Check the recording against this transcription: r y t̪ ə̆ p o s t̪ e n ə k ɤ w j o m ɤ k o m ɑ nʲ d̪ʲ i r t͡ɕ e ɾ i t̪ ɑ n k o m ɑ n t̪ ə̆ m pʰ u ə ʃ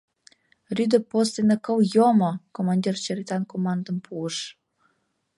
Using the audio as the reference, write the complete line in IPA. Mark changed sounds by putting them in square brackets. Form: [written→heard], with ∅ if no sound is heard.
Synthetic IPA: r y [t̪→d̪] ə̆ p o s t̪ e n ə k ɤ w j o m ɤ k o m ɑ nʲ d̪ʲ i r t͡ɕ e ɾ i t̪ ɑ n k o m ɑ n [t̪→d̪] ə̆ m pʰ u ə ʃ